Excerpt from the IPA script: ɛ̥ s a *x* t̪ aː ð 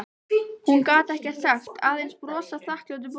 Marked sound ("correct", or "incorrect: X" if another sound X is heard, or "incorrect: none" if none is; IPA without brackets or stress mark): correct